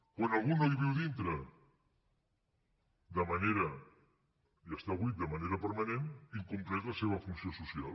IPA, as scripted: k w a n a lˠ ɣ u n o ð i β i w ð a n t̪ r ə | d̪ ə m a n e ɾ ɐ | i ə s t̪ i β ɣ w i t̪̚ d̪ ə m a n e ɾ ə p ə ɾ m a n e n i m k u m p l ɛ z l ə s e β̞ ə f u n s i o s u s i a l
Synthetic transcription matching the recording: k w a n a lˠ ɣ u n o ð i β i w ð i n t̪ ɾ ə | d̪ ə m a n e ɾ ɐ | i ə s t̪ a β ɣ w i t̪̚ d̪ ə m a n e ɾ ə p ə ɾ m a n e n i ŋ k u m p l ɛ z l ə s e β̞ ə f u n s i o s u s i a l